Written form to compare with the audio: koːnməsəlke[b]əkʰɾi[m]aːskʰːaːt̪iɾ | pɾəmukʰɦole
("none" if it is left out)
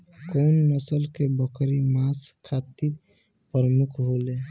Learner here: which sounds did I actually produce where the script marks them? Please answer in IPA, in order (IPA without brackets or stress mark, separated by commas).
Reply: b, m